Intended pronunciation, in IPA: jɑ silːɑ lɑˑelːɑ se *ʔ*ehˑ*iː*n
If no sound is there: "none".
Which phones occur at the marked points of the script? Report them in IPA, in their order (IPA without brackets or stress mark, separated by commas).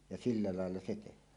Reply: t, æː